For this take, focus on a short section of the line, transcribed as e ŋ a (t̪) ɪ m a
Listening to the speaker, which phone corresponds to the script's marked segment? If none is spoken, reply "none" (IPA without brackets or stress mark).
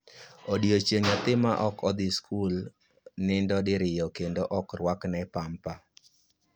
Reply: t̪